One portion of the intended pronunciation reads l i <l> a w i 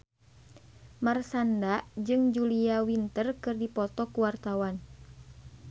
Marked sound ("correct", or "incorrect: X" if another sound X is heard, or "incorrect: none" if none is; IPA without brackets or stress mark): incorrect: none